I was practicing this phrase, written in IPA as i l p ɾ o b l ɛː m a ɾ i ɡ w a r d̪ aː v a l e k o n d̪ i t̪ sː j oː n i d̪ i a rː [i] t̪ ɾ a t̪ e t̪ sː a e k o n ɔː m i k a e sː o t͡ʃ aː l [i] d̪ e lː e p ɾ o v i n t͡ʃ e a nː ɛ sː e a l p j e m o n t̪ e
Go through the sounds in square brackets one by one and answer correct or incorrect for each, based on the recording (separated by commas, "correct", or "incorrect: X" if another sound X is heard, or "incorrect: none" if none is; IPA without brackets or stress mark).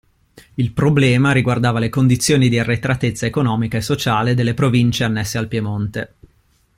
incorrect: e, incorrect: e